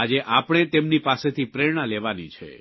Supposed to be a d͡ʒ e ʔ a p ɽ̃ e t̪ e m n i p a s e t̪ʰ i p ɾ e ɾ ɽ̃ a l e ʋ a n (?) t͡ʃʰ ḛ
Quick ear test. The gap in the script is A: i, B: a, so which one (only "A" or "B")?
A